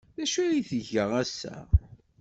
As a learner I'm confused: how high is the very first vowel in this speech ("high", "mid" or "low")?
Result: low